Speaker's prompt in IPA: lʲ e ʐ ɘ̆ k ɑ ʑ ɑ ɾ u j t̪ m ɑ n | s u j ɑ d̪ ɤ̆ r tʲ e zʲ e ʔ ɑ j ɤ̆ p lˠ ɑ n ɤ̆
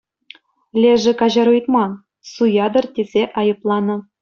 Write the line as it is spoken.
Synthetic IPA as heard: lʲ e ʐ ɘ̆ k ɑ ʑ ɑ ɾ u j t̪ m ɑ n | s u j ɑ d̪ ɤ̆ r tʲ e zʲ e ʔ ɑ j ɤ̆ p lˠ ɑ n ɤ̆